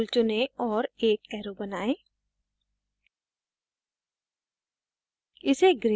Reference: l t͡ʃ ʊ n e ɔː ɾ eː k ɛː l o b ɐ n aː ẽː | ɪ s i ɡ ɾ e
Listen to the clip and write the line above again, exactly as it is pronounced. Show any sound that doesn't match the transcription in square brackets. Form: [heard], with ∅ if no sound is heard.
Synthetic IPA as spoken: l t͡ʃ ʊ n e ɔː ɾ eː k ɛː [ɾ] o b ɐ n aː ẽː | ɪ s [e] ɡ ɾ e